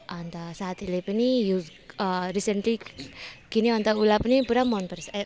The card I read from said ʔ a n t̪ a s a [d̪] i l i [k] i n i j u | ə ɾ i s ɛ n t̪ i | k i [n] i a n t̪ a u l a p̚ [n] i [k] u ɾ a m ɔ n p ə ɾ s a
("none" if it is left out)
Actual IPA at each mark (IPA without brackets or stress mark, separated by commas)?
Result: t̪, p, n, n, p